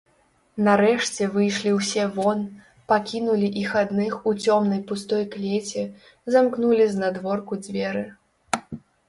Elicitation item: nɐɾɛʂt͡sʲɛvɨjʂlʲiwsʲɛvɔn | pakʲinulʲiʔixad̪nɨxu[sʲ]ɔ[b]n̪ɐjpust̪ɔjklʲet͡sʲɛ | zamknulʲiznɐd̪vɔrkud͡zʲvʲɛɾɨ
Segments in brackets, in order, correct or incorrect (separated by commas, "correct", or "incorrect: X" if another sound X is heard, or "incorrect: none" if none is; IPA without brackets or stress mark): incorrect: t͡sʲ, incorrect: m